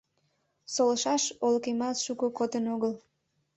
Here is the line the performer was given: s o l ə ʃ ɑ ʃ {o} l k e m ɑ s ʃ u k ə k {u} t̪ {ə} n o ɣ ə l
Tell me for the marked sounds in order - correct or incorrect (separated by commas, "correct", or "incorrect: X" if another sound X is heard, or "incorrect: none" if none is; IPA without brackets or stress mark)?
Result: correct, incorrect: o, correct